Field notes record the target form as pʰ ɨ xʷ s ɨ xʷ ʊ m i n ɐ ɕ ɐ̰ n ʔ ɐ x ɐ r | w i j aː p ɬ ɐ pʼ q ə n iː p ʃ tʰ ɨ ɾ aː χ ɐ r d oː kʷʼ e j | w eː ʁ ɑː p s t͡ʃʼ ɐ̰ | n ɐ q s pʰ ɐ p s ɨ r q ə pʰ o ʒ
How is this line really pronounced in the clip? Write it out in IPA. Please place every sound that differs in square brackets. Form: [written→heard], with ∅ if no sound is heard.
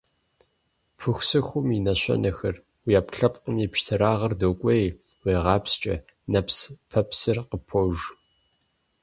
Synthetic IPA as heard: pʰ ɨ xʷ s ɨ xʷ ʊ m i n ɐ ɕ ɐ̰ n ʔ ɐ x ɐ r | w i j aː p ɬ ɐ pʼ q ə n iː p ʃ tʰ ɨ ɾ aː [χ→ʁ] ɐ r d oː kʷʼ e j | w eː ʁ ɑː p s t͡ʃʼ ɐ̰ | n ɐ [q→p] s pʰ ɐ p s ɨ r q ə pʰ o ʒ